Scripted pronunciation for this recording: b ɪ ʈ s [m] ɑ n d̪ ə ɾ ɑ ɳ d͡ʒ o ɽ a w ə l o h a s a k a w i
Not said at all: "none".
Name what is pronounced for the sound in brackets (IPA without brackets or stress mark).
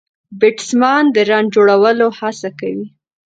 m